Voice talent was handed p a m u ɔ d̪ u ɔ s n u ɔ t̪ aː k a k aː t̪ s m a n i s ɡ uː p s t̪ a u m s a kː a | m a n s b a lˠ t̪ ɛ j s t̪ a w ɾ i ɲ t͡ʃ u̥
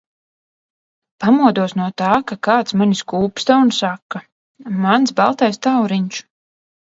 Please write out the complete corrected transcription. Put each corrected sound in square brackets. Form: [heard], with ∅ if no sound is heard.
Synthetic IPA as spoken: p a m u ɔ d̪ u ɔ s n u ɔ t̪ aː k a k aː t̪ s m a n i s [k] uː p s t̪ a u [n] s a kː a | m a n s b a lˠ t̪ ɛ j s t̪ a w ɾ i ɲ t͡ʃ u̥